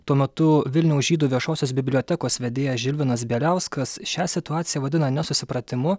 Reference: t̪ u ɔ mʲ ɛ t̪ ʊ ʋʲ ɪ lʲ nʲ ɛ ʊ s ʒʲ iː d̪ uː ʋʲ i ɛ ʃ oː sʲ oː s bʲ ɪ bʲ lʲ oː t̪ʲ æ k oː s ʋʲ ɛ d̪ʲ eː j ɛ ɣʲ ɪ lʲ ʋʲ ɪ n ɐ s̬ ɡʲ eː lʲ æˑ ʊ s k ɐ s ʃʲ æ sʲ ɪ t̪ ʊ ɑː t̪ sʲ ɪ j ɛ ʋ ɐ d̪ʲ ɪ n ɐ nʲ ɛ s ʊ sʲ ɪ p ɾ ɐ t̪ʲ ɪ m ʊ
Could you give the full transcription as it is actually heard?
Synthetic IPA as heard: t̪ u ɔ mʲ ɛ t̪ ʊ ʋʲ ɪ lʲ nʲ ɛ ʊ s ʒʲ iː d̪ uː ʋʲ i ɛ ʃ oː sʲ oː s bʲ ɪ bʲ lʲ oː t̪ʲ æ k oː s ʋʲ ɛ d̪ʲ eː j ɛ ʒʲ ɪ lʲ ʋʲ ɪ n ɐ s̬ bʲ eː lʲ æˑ ʊ s k ɐ s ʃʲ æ sʲ ɪ t̪ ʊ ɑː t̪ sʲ ɪ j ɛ ʋ ɐ d̪ʲ ɪ n ɐ nʲ ɛ s ʊ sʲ ɪ p ɾ ɐ t̪ʲ ɪ m ʊ